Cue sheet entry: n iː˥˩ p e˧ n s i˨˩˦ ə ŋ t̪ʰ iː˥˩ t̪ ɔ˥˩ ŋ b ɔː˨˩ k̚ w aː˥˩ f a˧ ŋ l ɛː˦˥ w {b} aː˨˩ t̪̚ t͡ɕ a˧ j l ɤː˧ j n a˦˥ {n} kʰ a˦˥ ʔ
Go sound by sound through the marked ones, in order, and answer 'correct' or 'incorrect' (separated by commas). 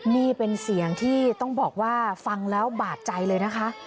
correct, incorrect